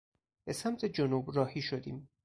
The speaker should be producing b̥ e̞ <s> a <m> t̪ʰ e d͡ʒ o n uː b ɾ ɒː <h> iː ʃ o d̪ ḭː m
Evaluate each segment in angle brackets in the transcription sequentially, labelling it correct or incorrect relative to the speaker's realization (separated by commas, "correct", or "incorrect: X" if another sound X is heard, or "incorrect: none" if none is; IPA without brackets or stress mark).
correct, correct, correct